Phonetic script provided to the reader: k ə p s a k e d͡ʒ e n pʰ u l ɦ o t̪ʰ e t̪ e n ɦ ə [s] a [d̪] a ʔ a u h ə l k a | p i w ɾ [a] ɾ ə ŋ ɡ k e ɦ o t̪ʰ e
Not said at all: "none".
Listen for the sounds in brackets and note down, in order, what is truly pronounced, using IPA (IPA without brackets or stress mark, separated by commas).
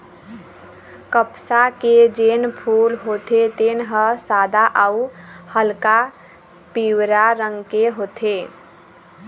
s, d̪, a